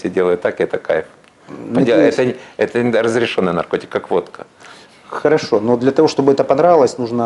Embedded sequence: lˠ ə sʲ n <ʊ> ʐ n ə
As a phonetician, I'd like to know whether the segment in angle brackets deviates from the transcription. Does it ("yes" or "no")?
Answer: yes